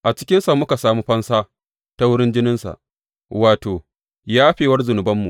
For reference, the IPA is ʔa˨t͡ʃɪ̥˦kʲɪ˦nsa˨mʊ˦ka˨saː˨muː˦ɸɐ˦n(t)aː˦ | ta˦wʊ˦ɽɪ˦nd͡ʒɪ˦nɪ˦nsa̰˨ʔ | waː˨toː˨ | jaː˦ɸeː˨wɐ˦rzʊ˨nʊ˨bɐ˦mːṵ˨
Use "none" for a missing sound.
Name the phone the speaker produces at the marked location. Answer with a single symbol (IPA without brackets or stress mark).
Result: s